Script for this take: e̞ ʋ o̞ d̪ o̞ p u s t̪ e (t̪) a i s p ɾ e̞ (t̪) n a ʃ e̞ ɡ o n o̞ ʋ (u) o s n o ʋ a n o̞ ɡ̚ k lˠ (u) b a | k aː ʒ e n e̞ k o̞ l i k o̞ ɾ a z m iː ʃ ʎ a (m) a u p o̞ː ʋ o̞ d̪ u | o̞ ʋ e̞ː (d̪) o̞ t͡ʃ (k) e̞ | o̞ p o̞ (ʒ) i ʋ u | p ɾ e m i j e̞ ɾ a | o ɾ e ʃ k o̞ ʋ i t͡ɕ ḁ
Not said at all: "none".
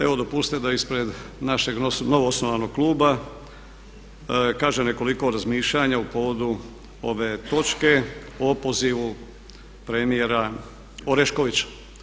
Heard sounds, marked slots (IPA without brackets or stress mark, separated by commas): d̪, d̪, o, uː, ɲ, t̪, k, z